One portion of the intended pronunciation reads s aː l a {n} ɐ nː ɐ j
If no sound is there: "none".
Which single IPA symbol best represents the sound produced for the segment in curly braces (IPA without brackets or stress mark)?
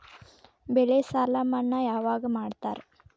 m